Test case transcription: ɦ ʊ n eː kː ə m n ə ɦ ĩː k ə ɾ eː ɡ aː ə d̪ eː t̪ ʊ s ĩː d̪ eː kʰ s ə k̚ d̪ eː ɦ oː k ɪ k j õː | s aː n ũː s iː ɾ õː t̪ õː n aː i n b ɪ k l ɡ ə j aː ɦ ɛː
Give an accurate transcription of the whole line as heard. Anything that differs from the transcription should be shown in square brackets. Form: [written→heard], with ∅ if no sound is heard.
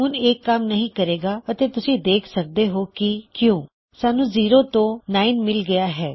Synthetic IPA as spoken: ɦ ʊ n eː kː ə m n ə ɦ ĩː k ə ɾ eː ɡ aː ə [d̪→t̪] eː t̪ ʊ s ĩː d̪ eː kʰ s ə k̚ d̪ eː ɦ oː k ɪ k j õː | s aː n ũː [s→z] iː ɾ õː t̪ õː n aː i n [b→m] ɪ [k→∅] l ɡ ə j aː ɦ ɛː